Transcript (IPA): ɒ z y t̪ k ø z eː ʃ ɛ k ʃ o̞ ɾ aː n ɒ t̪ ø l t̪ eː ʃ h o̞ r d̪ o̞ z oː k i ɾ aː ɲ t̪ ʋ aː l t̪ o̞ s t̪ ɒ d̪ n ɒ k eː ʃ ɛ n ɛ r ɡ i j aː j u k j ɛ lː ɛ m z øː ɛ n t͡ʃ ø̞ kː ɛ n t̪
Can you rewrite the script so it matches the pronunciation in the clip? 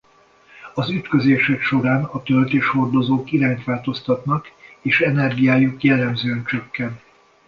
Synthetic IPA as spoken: ɒ z y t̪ k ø z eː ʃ ɛ k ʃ o̞ ɾ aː n ɒ t̪ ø l t̪ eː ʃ h o̞ r d̪ o̞ z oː k i ɾ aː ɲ t̪ ʋ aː l t̪ o̞ s t̪ ɒ t̪ n ɒ k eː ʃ ɛ n ɛ r ɡ i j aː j u k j ɛ lː ɛ m z øː ɛ n t͡ʃ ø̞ kː ɛ n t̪